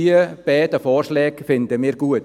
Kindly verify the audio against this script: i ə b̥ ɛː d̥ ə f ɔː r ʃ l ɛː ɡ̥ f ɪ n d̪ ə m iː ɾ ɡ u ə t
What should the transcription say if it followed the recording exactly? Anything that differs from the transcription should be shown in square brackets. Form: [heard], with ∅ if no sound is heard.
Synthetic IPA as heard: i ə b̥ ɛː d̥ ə f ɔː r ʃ l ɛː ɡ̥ f ɪ n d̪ ə m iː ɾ ɡ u ə t